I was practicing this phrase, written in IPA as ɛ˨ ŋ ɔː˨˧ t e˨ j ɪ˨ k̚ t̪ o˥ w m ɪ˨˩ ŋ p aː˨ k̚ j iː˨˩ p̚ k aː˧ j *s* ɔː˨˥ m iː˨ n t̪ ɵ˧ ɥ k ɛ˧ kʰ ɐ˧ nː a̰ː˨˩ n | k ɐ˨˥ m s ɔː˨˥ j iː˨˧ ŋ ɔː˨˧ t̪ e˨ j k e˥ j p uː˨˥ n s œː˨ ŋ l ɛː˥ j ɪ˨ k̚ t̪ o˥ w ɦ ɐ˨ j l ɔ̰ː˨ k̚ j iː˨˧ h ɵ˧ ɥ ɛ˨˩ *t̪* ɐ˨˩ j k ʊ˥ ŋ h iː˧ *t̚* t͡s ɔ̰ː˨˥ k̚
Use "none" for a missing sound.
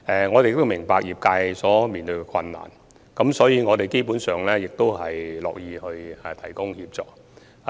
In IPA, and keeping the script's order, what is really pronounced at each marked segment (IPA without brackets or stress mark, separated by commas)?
s, t̪ʰ, p̚